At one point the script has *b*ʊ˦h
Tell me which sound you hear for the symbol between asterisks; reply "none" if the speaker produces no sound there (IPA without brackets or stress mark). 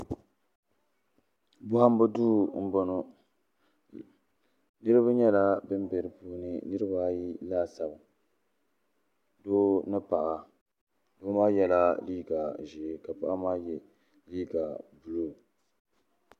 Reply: b